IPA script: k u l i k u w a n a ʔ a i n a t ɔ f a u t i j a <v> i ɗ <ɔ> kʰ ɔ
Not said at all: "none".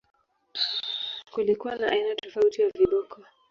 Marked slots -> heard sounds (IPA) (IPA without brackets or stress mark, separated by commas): v, ɔ